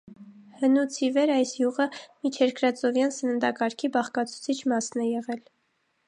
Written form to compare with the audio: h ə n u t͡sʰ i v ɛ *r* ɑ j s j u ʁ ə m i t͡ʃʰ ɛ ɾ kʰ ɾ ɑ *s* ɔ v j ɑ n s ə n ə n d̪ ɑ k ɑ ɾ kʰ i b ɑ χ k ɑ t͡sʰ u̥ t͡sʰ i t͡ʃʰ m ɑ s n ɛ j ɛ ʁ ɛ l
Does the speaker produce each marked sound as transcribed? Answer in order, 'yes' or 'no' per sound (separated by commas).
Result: no, no